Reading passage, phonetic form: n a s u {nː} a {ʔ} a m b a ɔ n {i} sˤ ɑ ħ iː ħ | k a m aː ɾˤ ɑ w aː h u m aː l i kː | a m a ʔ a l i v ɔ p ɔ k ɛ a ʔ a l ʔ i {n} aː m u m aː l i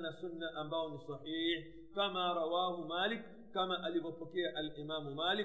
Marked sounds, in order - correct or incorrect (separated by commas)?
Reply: correct, correct, correct, incorrect